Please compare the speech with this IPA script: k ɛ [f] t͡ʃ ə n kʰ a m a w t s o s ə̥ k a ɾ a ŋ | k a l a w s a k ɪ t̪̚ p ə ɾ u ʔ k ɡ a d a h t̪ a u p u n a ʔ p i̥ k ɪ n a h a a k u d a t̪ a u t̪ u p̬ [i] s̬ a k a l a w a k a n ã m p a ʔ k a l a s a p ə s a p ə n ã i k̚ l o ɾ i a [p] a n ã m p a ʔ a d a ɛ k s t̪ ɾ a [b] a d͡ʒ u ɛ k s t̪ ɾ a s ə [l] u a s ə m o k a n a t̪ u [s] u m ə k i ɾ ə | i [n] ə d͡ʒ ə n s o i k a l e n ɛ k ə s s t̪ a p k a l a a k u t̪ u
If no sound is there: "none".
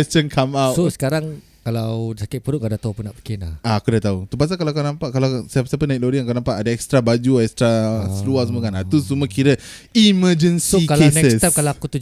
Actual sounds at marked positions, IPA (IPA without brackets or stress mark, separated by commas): s, a, k, b, l, s, m